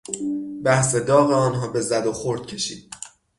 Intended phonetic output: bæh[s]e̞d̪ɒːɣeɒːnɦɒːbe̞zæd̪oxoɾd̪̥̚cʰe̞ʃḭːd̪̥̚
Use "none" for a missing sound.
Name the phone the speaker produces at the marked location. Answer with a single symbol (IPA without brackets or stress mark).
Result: s